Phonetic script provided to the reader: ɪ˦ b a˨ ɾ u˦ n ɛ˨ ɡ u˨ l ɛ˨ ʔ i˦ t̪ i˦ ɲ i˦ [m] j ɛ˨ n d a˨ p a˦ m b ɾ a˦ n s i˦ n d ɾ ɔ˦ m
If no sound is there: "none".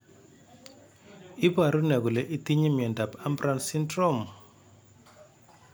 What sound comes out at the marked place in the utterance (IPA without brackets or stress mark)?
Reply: m